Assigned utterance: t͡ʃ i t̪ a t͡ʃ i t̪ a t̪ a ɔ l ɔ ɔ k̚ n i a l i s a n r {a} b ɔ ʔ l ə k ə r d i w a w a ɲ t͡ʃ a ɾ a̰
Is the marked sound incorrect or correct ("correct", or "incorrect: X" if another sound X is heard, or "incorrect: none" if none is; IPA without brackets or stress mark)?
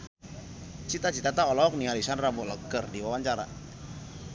correct